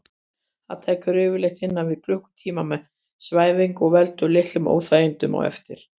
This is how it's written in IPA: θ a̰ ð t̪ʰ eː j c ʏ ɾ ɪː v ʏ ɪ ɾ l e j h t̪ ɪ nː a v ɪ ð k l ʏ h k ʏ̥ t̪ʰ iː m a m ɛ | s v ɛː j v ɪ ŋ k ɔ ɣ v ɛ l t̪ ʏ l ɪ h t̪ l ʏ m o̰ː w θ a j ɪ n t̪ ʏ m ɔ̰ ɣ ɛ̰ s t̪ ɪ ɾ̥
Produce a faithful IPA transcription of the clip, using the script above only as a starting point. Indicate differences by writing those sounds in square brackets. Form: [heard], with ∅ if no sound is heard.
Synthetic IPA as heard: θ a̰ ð t̪ʰ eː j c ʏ ɾ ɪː v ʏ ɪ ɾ l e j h t̪ ɪ nː a v ɪ ð k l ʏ h k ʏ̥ t̪ʰ iː m a m ɛ | s v [aː] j v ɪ ŋ k ɔ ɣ v ɛ l t̪ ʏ l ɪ h t̪ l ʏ m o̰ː w θ a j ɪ n t̪ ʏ m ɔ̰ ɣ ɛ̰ [f] t̪ ɪ ɾ̥